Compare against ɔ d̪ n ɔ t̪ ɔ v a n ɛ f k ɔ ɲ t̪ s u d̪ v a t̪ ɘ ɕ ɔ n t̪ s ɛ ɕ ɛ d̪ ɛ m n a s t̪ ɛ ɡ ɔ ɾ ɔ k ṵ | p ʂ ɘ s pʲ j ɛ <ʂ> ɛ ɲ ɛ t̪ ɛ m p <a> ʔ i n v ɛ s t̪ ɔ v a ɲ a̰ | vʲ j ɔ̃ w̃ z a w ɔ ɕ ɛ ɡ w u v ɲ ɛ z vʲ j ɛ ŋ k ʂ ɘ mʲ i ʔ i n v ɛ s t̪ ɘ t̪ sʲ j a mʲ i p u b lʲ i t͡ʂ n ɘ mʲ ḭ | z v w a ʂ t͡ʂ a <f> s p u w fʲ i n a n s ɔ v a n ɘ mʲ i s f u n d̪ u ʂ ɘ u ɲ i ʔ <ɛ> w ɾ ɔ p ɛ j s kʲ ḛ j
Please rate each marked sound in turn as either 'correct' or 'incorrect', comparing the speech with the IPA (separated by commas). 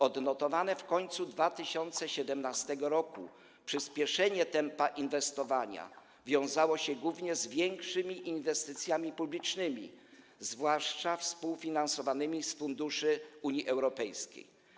correct, correct, correct, correct